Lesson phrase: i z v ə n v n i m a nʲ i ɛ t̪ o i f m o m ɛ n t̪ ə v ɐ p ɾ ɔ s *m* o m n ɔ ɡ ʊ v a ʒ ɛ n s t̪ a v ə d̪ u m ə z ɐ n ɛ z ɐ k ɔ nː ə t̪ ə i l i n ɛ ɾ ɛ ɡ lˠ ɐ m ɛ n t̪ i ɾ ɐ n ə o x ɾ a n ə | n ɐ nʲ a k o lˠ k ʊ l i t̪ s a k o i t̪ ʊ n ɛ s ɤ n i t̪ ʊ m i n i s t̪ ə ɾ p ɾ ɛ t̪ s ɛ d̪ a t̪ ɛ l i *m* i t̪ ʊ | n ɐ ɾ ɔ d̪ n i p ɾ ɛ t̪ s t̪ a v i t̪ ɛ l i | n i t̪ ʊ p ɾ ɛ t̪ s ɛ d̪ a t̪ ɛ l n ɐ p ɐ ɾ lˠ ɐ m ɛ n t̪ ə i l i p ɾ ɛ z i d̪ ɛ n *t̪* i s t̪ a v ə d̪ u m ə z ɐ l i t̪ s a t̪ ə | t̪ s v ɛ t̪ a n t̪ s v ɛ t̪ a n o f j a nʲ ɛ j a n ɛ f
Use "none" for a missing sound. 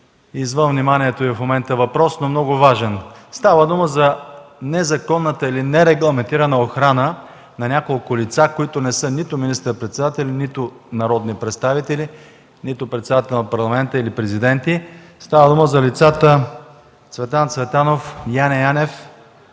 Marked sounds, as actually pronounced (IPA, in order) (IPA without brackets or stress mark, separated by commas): n, n, t̪